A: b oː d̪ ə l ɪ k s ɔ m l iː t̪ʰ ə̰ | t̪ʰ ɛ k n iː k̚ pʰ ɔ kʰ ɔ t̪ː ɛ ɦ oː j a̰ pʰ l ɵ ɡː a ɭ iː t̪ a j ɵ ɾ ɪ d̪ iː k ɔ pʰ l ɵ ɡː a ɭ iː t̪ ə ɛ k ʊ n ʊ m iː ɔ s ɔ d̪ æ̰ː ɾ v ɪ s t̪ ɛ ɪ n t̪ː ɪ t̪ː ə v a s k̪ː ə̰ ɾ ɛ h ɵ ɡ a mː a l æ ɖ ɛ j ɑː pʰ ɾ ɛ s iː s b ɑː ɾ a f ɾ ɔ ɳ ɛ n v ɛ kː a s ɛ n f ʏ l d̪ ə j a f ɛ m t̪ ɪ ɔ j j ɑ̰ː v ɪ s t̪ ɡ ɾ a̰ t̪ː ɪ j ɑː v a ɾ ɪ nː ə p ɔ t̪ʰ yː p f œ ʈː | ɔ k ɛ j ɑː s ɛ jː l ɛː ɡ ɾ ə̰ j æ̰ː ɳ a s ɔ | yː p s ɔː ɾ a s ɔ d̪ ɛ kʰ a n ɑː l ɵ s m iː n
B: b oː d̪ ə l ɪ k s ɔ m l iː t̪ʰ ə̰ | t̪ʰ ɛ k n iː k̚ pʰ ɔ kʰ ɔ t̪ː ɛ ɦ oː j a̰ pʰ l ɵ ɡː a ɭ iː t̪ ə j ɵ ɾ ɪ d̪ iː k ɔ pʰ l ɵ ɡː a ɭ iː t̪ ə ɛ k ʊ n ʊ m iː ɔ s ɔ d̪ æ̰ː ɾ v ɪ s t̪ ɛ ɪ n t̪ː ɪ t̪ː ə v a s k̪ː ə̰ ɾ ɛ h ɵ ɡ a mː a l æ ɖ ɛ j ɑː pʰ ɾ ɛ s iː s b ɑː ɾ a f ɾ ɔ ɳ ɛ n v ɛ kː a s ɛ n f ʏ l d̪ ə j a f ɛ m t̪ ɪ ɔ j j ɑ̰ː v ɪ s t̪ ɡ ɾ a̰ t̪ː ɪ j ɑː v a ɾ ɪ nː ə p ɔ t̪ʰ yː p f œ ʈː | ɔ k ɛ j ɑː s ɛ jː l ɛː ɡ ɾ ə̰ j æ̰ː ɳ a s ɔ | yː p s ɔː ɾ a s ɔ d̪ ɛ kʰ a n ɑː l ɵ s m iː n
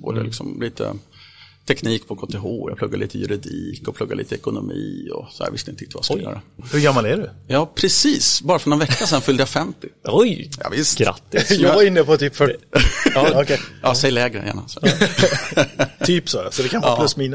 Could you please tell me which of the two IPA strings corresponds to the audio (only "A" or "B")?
B